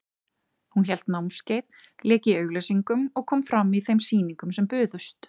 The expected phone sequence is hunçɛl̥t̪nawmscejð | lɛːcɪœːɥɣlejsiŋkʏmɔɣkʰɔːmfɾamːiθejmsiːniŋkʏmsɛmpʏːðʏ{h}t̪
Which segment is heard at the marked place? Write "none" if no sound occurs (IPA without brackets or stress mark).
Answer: s